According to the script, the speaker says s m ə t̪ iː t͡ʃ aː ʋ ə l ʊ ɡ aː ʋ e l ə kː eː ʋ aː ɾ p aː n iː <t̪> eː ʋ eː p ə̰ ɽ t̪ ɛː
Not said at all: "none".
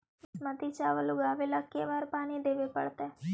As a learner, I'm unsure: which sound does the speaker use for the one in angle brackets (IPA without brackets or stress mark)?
d̪